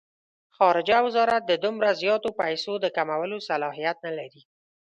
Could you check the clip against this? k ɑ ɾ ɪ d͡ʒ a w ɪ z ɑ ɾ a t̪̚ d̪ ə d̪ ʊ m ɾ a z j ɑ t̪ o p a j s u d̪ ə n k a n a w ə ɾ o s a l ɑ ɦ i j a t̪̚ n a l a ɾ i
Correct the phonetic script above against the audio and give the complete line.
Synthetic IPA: x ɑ ɾ ɪ d͡ʒ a w ɪ z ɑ ɾ a t̪̚ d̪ ə d̪ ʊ m ɾ a z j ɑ t̪ o p a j s o d̪ ə k a m a w ə l o s a l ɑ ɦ i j a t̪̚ n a l a ɾ i